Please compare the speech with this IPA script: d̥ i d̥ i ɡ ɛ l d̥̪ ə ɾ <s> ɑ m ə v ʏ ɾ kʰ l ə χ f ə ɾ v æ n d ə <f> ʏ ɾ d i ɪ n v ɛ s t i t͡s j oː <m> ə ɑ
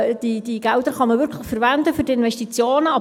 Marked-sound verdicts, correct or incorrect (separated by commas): incorrect, correct, incorrect